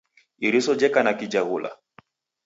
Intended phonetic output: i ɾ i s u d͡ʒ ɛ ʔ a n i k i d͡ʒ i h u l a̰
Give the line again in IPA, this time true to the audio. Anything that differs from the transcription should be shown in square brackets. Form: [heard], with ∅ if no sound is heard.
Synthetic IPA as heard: i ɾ i s [ɔ] d͡ʒ ɛ [k] a n [a] k i d͡ʒ [a] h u l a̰